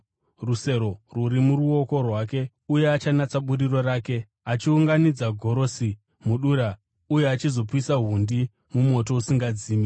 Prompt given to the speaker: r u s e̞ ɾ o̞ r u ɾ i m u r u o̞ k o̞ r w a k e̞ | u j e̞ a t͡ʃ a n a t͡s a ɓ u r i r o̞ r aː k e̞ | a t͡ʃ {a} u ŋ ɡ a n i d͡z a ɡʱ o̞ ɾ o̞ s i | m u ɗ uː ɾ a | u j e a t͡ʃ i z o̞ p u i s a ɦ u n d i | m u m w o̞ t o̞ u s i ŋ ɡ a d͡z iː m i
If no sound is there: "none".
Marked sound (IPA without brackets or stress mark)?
i